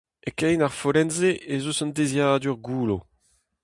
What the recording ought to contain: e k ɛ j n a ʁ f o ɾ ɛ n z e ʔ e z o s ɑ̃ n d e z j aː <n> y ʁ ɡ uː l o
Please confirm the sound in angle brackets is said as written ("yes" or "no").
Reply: no